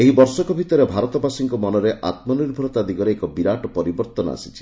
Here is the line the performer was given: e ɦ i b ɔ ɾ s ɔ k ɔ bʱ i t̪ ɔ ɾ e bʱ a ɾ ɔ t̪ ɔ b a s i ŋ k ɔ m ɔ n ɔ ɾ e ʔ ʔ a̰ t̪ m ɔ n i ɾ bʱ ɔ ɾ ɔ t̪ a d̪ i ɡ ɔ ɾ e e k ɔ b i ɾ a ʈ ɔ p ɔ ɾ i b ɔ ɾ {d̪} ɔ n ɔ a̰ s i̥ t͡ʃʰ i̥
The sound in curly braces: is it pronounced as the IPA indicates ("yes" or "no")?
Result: no